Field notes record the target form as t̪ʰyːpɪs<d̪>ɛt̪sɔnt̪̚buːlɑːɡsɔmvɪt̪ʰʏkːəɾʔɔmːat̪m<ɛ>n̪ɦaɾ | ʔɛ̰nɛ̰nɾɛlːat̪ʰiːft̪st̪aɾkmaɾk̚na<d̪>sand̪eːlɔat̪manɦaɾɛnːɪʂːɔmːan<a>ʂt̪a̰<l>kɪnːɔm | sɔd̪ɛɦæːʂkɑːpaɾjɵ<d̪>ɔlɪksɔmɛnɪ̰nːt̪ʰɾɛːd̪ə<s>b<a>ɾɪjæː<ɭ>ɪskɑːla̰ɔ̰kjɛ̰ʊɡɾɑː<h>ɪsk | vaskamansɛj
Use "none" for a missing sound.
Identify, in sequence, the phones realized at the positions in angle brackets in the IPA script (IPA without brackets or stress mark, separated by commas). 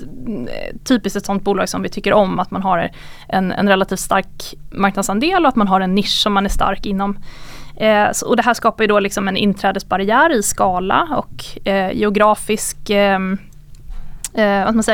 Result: t̪, a, d̪, æ, ɾ, d̪, s, a, ɾ, f